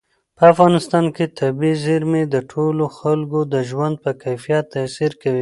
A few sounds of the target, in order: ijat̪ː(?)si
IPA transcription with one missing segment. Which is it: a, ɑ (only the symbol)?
a